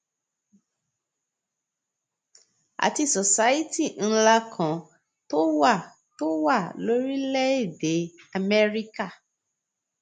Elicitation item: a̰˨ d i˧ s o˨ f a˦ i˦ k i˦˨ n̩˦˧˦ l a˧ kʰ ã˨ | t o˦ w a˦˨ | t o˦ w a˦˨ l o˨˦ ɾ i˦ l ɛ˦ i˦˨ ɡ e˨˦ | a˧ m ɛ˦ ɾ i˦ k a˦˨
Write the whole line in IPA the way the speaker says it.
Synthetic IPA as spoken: a̰˨ t i˧ s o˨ s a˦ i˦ t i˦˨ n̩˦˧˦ l a˧ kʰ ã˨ | t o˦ w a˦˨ | t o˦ w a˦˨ l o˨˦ ɾ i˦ l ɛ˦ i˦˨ d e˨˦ | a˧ m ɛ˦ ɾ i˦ k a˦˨